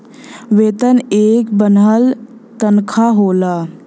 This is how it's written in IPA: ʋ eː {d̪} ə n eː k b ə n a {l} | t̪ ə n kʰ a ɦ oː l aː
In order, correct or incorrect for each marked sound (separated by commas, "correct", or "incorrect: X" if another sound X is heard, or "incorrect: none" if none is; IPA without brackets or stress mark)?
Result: incorrect: t̪, correct